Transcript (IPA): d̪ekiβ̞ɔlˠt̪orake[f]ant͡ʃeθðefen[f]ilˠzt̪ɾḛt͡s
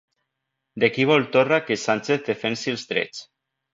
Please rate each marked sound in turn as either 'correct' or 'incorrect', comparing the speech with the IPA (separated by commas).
incorrect, incorrect